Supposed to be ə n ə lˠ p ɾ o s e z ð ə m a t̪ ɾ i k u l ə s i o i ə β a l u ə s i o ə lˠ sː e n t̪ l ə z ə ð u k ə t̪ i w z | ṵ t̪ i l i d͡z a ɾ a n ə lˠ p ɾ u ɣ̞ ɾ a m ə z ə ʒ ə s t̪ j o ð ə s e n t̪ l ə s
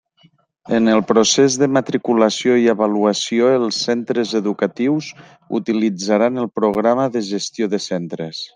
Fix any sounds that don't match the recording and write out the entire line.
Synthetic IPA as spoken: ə n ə lˠ p ɾ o s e z ð ə m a t̪ ɾ i k u l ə s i o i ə β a l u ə s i o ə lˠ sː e n t̪ ɾ ə z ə ð u k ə t̪ i w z | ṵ t̪ i l i d͡z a ɾ a n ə lˠ p ɾ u ɣ̞ ɾ a m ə ð ə ʒ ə s t̪ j o ð ə s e n t̪ ɾ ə s